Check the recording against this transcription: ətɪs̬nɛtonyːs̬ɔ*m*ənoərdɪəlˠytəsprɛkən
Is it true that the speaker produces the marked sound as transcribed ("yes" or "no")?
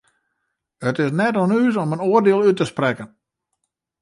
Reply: yes